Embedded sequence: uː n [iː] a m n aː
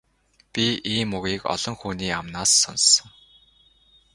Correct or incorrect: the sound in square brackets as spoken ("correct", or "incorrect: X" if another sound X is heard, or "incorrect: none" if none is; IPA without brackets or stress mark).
correct